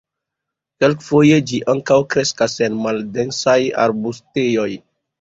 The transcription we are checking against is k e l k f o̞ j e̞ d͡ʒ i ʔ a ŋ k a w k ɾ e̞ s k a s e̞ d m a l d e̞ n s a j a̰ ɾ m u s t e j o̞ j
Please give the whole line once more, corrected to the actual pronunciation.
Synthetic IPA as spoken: k e l k f o̞ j e̞ d͡ʒ i ʔ a ŋ k a w k ɾ e̞ s k a s e̞ n m a l d e̞ n s a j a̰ ɾ b u s t e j o̞ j